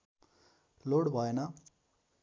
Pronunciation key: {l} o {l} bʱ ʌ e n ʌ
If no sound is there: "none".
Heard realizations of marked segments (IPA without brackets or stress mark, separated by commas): l, ɽ